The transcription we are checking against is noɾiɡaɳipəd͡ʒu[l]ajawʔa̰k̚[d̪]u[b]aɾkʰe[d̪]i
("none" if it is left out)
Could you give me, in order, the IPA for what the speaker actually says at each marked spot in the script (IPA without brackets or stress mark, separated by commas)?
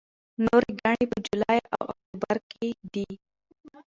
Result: l, t̪, b, d̪